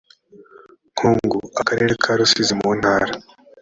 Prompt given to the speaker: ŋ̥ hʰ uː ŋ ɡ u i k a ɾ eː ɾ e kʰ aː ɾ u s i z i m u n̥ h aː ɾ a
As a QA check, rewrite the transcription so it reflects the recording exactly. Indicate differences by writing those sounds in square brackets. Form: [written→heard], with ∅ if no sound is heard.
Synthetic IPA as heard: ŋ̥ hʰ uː ŋ ɡ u [i→a] k a ɾ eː ɾ e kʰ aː ɾ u s i z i m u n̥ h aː ɾ a